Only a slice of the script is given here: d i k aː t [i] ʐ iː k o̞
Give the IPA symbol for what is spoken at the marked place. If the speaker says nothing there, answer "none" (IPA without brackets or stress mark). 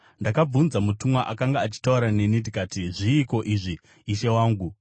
i